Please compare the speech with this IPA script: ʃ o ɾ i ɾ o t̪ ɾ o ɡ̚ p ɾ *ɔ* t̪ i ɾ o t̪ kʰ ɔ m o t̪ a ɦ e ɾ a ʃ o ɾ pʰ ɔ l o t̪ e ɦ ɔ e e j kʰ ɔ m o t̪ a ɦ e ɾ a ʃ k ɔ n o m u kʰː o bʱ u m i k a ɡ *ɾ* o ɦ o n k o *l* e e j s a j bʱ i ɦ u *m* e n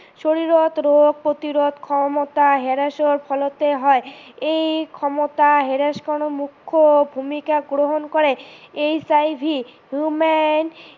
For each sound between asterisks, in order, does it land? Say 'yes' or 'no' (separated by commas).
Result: no, yes, no, yes